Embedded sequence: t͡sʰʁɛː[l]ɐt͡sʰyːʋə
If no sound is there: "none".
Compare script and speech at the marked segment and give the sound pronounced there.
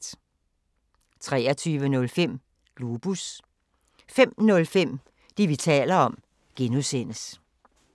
none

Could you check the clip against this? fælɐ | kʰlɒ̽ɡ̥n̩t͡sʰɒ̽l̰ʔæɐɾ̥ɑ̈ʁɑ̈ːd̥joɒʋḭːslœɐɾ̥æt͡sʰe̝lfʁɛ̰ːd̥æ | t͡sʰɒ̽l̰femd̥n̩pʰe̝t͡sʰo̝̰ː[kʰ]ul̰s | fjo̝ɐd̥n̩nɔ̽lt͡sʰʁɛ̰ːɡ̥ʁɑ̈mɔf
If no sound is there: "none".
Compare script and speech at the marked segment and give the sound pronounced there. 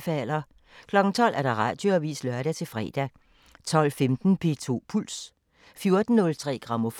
pʰ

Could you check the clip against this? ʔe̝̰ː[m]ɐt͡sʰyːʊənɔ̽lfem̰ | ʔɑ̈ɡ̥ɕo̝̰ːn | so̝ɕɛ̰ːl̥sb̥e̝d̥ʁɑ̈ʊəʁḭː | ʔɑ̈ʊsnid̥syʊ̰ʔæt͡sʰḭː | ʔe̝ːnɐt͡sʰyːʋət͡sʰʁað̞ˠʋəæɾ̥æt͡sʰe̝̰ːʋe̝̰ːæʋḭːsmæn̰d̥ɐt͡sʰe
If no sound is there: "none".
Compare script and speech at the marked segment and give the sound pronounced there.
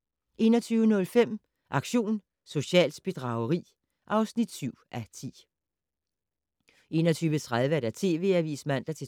n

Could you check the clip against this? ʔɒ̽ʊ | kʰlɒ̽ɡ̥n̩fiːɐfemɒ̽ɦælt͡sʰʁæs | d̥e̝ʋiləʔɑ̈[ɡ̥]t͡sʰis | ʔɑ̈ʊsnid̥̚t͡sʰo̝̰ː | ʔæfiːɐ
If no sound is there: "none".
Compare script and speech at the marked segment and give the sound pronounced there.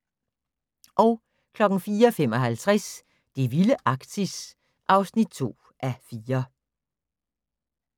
ɡ̥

